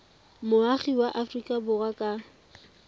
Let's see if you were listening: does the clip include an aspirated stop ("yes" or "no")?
no